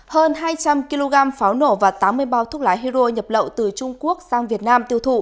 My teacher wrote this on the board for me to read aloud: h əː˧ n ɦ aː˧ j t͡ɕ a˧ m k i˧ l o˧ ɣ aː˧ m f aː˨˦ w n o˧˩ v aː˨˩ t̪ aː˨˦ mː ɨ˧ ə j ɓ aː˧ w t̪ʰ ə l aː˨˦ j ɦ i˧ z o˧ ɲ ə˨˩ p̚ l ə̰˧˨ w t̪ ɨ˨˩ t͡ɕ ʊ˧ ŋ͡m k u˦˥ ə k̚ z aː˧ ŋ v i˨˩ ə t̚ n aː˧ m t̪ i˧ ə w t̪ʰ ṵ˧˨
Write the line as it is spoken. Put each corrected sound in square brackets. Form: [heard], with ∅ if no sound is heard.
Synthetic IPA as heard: h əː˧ n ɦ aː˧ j t͡ɕ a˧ m k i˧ l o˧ ɣ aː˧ m f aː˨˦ w n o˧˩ v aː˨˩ t̪ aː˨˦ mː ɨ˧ ə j ɓ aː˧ w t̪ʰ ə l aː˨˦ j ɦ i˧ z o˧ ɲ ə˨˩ p̚ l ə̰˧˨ w t̪ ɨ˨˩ t͡ɕ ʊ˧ ŋ͡m k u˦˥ ə k̚ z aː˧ ŋ v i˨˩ ə t̚ n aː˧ m t̪ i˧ ə w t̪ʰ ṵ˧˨